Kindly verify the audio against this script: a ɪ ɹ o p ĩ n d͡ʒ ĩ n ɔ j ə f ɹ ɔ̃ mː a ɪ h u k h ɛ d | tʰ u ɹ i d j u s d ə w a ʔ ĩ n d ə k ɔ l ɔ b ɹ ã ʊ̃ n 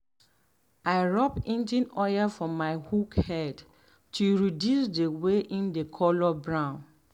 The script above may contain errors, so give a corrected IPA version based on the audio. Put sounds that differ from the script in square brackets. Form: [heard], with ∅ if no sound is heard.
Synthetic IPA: a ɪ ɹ [ɔ] p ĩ n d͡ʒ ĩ n ɔ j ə f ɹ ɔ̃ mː a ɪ h u k h ɛ d | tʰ u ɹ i d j u s d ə w [e] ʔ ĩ n d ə [kʰ] ɔ l ɔ b ɹ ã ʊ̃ n